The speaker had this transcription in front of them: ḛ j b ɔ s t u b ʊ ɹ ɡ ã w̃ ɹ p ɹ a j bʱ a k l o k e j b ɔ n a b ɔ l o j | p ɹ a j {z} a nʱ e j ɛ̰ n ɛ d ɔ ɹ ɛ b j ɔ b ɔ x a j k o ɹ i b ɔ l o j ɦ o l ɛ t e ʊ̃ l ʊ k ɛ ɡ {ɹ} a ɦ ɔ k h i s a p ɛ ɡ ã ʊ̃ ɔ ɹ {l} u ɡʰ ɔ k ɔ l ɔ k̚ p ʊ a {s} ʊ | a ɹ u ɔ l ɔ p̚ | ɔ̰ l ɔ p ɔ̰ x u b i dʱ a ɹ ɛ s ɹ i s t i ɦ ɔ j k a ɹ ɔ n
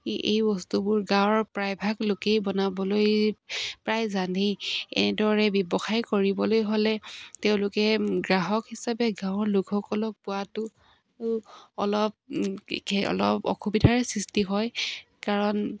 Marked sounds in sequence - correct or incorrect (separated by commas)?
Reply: correct, correct, correct, incorrect